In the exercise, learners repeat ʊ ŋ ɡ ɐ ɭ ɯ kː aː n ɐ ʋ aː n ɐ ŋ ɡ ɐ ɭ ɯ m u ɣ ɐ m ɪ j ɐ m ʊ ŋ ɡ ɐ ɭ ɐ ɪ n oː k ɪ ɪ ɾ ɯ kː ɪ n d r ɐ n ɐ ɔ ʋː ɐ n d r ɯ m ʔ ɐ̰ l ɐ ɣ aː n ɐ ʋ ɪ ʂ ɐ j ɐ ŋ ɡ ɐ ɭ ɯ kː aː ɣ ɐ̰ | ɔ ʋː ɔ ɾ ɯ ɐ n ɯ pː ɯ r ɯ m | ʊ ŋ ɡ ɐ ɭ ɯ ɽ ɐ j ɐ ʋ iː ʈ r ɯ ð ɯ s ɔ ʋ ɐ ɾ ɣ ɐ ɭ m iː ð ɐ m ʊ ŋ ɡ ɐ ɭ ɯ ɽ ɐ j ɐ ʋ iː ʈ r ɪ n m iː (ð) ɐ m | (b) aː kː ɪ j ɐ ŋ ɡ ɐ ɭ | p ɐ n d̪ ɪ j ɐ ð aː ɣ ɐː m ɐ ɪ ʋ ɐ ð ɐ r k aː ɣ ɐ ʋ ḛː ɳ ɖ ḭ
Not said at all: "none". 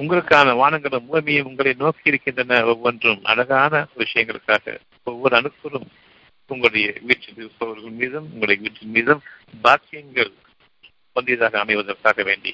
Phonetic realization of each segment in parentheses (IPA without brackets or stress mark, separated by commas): ð, b